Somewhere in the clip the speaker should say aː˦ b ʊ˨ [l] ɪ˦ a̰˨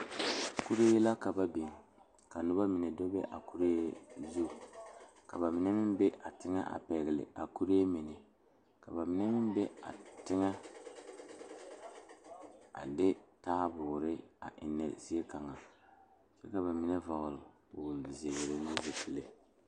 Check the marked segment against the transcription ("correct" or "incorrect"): incorrect